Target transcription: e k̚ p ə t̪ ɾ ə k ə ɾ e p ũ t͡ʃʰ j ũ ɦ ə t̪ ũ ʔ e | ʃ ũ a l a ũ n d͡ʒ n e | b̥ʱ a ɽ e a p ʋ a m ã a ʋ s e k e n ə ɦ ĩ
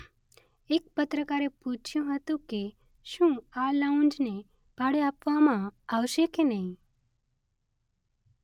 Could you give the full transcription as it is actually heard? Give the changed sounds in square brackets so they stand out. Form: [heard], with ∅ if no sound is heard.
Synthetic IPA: e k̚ p ə t̪ ɾ ə k [a] ɾ e p [u] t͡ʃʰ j ũ ɦ ə t̪ ũ [k] e | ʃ ũ a l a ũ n d͡ʒ n e | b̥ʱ a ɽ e a p ʋ a m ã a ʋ [ʃ] e k e n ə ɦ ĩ